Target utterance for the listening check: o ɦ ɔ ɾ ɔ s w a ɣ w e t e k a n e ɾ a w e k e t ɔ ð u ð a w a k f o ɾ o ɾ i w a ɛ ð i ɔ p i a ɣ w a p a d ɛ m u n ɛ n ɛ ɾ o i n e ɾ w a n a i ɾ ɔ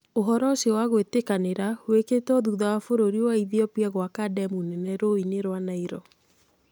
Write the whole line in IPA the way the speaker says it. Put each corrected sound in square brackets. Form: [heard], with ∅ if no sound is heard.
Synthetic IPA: o ɦ ɔ ɾ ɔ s w a ɣ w e t e k a n e ɾ a w e k e t ɔ ð u ð a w a [∅] f o ɾ o ɾ i w a [i] ð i ɔ p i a ɣ w a [k] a d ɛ m u n ɛ n ɛ ɾ o i n e ɾ w a n a i ɾ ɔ